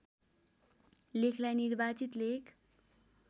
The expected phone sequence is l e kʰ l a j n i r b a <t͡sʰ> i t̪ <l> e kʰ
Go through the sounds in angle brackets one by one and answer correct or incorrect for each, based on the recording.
incorrect, correct

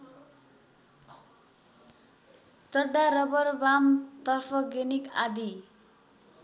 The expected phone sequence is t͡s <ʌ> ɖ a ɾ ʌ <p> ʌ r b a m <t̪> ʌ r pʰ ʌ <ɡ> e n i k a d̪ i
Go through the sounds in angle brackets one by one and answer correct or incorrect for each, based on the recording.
correct, incorrect, correct, correct

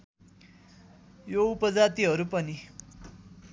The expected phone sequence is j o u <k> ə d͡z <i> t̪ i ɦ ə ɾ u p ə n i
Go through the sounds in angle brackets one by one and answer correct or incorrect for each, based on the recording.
incorrect, incorrect

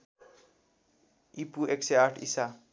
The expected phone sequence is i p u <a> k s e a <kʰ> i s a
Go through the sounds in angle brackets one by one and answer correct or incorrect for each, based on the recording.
incorrect, incorrect

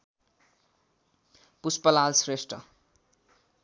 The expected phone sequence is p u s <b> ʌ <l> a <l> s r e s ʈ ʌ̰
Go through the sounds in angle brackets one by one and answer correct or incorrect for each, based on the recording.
incorrect, correct, correct

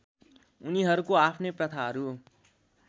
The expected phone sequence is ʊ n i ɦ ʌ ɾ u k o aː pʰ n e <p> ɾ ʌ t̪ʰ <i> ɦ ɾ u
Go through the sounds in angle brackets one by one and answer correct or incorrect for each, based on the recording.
correct, incorrect

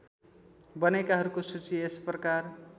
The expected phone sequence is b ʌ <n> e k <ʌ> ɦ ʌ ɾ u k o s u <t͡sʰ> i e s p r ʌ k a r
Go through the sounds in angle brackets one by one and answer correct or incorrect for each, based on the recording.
correct, incorrect, incorrect

